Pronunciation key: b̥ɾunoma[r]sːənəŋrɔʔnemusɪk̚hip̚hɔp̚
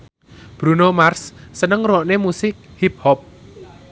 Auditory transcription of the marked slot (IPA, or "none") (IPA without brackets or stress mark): r